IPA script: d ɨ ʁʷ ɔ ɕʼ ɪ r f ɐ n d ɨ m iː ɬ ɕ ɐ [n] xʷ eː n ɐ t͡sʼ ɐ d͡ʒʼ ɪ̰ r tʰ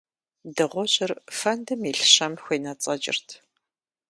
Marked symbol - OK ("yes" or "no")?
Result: no